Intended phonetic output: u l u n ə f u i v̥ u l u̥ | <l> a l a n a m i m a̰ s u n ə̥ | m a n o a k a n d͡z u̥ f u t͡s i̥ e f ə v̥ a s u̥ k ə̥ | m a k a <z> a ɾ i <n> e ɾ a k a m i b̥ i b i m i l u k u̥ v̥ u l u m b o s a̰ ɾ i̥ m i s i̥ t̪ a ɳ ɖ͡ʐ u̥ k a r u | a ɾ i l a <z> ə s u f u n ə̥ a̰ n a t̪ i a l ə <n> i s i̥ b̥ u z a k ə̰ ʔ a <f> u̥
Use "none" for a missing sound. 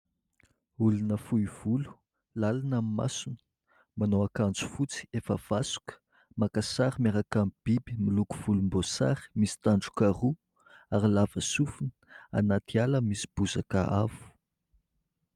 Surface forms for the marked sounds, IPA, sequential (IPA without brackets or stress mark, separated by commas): l, s, m, v, m, v